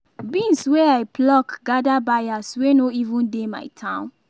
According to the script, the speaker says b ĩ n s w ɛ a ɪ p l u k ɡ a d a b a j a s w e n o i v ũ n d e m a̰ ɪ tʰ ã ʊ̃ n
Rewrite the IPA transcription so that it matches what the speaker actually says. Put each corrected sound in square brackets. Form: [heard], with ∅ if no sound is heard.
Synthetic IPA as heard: b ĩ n s w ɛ a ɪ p l [ɔ] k ɡ a d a b a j a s w e n o i v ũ n d e m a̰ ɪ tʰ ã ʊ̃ n